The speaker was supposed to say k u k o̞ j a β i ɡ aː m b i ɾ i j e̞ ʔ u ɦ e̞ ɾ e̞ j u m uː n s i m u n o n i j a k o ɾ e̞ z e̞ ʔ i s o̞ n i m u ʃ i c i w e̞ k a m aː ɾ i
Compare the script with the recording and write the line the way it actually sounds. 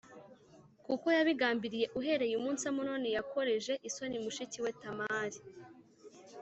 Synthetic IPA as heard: k u k o̞ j a β i ɡ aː m b i ɾ i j e̞ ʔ u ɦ e̞ ɾ e̞ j u m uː n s a m u n o n i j a k o ɾ e̞ ʒ e̞ ʔ i s o̞ n i m u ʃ i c i w e̞ t a m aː ɾ i

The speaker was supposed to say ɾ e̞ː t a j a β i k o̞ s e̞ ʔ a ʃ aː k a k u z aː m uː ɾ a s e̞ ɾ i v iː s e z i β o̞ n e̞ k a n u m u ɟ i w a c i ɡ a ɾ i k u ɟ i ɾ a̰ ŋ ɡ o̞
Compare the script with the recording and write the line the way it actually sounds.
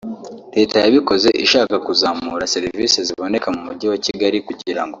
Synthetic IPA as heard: ɾ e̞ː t a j a β i k o̞ z e̞ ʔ i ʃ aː k a k u z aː m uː ɾ a s e̞ ɾ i v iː s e z i β o̞ n e̞ k a m u m u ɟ i w a c i ɡ a ɾ i k u ɟ i ɾ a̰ ŋ ɡ o̞

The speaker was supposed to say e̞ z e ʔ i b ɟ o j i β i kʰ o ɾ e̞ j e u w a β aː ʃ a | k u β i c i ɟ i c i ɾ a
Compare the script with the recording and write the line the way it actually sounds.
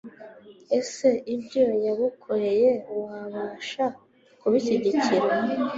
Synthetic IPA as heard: e̞ s e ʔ i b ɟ o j a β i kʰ o ɾ e̞ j e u w a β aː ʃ a | k u β i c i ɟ i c i ɾ a

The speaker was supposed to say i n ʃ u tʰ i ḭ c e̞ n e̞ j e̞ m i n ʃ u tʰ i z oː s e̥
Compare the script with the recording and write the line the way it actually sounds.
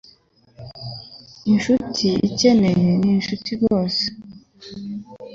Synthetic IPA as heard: i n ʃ u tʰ i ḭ c e̞ n e̞ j e̞ n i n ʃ u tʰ i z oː s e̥

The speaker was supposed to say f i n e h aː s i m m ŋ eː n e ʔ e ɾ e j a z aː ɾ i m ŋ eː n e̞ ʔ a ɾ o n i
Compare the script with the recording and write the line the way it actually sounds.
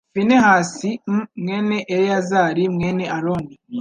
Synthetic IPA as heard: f i n e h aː s i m m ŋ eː n e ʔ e ɾ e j a z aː ɾ i m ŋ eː n e̞ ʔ a ɾ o n i

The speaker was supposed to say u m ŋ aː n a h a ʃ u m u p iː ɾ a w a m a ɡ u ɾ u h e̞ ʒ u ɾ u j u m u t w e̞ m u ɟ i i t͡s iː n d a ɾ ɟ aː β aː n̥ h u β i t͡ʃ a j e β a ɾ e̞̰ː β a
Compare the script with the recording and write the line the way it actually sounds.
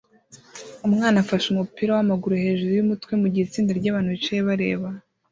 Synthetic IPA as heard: u m ŋ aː n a f a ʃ u m u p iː ɾ a w a m a ɡ u ɾ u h e̞ ʒ u ɾ u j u m u t w e̞ m u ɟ i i t͡s iː n d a ɾ ɟ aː β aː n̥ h u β i t͡ʃ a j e β a ɾ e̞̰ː β a

